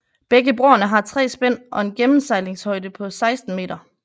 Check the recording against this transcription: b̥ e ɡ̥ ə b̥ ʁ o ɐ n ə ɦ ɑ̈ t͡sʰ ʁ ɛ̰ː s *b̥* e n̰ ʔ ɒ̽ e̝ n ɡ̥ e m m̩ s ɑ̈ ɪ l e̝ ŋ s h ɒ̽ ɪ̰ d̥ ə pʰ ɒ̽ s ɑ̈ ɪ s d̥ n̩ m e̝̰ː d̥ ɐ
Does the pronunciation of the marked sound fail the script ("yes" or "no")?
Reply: no